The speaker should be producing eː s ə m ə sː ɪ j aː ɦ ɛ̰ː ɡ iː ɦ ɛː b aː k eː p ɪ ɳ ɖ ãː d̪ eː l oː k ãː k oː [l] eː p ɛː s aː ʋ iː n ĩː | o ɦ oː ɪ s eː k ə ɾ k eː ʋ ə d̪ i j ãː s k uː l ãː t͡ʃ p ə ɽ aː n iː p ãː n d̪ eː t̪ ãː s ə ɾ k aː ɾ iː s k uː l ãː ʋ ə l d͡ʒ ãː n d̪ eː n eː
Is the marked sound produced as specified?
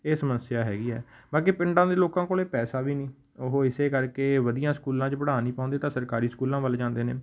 yes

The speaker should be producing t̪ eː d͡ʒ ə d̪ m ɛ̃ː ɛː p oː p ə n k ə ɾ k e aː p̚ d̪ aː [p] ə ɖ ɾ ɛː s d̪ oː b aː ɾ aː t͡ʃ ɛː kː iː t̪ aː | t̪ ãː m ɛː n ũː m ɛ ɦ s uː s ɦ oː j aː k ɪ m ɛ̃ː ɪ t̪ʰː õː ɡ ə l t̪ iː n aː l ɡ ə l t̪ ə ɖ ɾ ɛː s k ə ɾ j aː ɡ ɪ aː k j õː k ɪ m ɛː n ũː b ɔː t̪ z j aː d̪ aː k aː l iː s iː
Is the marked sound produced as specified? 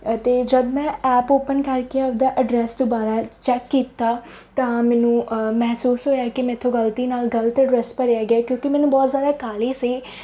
no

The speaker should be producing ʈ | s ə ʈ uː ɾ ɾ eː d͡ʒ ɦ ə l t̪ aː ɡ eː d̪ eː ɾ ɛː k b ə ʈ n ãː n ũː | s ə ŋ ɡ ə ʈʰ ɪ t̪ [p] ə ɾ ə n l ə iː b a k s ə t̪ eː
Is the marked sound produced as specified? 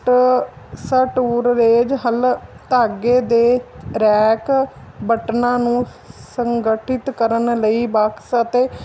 no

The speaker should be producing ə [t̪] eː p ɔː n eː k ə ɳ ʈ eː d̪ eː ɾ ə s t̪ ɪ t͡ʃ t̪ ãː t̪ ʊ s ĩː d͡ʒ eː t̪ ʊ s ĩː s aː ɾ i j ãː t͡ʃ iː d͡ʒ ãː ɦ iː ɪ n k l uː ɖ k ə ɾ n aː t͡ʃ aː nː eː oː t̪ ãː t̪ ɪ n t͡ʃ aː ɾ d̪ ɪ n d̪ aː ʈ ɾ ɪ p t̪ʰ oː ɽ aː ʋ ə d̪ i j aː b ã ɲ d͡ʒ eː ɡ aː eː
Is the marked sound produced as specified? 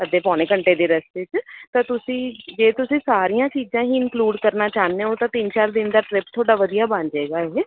no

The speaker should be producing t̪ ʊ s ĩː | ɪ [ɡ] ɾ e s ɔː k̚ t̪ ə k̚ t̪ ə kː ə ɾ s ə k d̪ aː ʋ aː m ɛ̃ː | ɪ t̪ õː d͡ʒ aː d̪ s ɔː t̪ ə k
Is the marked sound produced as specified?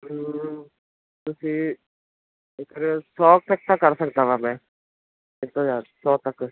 no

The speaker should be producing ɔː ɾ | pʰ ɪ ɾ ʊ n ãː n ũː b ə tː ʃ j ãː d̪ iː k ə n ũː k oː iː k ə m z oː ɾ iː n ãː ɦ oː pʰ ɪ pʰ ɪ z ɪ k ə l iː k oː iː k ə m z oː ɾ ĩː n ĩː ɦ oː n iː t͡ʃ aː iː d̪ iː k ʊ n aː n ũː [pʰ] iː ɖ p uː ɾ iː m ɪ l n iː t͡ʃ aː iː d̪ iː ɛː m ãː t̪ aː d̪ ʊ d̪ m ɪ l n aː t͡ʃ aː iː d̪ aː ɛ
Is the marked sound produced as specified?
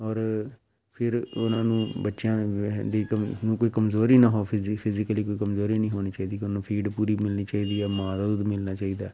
yes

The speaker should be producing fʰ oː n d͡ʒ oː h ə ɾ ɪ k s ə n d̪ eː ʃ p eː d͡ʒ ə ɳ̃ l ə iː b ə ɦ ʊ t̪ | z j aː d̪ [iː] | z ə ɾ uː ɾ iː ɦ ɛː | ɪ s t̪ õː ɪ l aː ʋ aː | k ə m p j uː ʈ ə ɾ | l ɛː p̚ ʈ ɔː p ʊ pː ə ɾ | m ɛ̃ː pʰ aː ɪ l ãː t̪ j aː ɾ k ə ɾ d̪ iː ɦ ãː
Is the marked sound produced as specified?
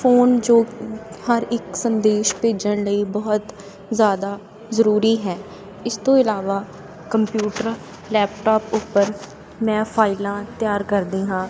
no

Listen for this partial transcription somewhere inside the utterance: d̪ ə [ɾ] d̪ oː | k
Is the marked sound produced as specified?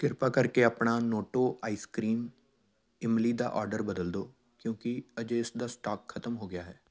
no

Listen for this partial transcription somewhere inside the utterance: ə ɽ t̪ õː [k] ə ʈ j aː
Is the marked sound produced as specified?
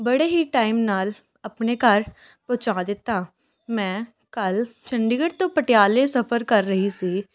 no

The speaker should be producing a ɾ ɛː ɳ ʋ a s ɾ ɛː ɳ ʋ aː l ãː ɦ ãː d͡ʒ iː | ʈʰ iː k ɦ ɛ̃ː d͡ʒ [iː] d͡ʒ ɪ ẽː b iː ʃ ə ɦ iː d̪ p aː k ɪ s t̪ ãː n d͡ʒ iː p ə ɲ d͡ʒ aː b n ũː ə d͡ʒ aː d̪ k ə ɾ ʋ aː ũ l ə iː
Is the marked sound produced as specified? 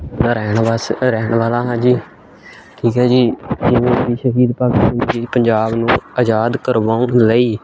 yes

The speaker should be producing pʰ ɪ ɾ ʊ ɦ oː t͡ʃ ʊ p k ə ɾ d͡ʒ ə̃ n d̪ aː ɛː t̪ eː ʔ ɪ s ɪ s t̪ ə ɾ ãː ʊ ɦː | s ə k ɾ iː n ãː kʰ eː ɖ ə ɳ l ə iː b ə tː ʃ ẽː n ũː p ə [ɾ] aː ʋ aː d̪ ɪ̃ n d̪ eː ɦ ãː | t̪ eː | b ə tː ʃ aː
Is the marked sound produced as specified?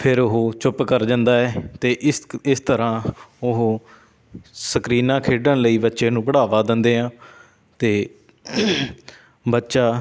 no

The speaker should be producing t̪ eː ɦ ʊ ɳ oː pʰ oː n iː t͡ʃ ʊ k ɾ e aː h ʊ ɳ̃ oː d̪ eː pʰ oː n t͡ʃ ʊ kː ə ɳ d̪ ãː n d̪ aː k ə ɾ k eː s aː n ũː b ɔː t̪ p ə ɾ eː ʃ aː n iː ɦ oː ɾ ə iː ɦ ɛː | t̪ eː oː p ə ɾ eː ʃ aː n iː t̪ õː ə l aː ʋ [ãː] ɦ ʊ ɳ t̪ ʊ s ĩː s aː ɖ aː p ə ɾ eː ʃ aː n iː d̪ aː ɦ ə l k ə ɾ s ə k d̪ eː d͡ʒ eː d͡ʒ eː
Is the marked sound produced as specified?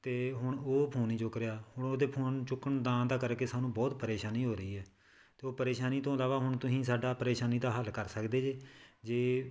no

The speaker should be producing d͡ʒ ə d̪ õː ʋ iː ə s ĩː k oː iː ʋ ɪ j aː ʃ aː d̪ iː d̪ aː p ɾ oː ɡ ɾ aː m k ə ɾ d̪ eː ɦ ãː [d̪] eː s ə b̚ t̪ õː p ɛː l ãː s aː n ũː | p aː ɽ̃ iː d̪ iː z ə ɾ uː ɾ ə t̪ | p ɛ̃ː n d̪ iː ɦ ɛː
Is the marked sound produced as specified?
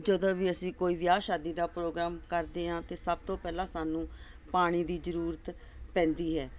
no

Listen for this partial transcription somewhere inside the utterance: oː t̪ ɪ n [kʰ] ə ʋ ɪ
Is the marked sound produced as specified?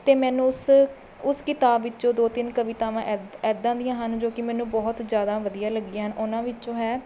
no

